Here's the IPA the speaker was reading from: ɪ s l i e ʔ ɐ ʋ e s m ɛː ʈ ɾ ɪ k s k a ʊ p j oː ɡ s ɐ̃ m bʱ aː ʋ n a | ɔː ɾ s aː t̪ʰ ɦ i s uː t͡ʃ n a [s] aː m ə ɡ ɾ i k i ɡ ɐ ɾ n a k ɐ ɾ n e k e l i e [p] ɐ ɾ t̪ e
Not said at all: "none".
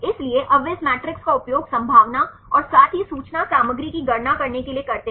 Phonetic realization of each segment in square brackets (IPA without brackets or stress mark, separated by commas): s, k